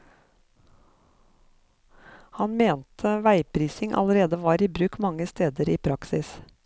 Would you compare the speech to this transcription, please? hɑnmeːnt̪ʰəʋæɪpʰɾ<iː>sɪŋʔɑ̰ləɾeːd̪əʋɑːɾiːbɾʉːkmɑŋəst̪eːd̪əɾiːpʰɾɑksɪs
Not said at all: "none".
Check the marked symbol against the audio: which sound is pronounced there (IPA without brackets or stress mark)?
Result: iː